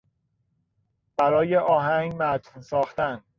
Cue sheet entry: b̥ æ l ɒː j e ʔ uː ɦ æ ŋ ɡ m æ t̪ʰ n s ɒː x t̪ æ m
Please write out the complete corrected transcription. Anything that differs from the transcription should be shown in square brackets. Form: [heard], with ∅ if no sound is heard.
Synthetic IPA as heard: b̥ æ [ɾ] ɒː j e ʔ [ɒː] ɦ æ ŋ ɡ m æ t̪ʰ n s ɒː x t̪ æ [n]